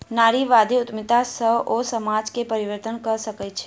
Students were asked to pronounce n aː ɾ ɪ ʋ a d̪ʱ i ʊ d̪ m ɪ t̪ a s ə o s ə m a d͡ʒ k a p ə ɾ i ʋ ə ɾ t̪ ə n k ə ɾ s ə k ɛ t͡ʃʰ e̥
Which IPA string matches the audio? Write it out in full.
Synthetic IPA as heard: n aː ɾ i ʋ a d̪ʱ i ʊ t̪ m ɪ t̪ a s ə o s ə m a d͡ʒ k e p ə ɾ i ʋ ə ɾ t̪ ə n k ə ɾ s ə k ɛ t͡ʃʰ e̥